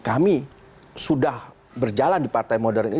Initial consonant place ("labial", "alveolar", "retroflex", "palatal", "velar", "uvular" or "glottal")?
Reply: velar